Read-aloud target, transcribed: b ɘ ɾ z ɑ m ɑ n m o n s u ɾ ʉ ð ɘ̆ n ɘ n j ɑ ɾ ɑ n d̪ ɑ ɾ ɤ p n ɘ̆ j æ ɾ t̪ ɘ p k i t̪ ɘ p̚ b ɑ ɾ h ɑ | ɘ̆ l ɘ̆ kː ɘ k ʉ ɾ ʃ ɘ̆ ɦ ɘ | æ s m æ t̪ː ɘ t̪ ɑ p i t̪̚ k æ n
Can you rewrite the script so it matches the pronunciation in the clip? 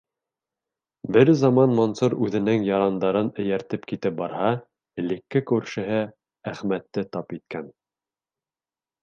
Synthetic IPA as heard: b ɘ ɾ z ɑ m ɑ n m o n s u ɾ ʉ ð ɘ̆ n ɘ ŋ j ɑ ɾ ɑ n d̪ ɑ ɾ ɤ n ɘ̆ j æ ɾ t̪ ɘ p k i t̪ ɘ p̚ b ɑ ɾ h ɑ | ɘ̆ l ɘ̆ kː ɘ k ʉ ɾ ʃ ɘ̆ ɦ ɘ | æ χ m æ t̪ː ɘ t̪ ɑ p i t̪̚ k æ n